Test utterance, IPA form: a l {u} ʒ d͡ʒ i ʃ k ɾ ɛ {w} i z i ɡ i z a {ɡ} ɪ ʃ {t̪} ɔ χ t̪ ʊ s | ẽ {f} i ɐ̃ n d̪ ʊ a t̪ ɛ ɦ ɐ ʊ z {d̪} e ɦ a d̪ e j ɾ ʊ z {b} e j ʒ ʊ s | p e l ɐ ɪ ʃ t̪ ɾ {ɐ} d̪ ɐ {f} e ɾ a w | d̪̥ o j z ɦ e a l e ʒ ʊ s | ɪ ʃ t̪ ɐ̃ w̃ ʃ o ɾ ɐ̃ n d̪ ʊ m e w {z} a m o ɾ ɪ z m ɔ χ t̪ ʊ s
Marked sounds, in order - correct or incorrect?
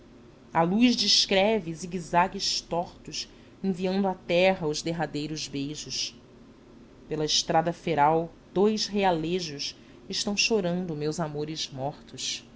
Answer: correct, incorrect: v, correct, correct, incorrect: v, correct, correct, incorrect: a, correct, correct

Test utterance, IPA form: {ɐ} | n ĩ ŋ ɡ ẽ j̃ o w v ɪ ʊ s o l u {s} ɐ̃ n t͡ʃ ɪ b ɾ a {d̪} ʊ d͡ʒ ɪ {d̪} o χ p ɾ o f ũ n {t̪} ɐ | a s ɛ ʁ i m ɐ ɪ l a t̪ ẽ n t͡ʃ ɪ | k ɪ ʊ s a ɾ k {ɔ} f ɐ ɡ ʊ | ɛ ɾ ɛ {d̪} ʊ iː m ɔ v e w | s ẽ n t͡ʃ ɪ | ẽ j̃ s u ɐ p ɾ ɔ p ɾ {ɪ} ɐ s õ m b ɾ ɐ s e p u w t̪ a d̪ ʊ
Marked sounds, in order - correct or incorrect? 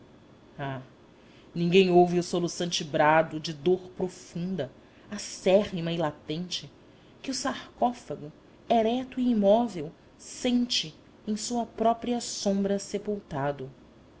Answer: incorrect: a, correct, correct, correct, incorrect: d̪, correct, incorrect: t̪, incorrect: i

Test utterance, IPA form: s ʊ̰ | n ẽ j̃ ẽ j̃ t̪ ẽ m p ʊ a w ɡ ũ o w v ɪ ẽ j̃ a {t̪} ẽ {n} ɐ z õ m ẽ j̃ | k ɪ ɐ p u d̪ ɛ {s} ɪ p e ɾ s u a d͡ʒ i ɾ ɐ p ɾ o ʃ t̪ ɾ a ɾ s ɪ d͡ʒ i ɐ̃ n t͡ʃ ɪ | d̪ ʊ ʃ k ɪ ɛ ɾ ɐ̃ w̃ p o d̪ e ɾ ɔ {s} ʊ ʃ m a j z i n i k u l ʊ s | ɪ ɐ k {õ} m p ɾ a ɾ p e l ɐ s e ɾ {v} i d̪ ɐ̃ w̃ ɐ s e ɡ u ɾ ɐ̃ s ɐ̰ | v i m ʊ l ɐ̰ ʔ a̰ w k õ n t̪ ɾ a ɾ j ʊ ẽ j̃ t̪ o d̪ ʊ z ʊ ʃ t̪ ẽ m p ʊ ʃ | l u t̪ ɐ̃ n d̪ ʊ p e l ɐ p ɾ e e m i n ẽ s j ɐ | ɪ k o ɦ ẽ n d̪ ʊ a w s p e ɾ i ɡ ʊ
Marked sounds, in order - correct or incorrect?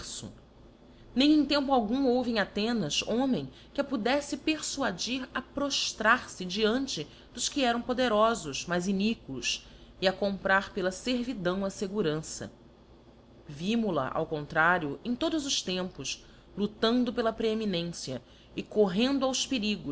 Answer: correct, correct, correct, incorrect: z, correct, correct

